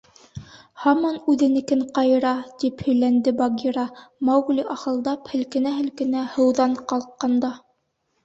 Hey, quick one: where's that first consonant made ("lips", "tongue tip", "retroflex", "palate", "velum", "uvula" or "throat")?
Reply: throat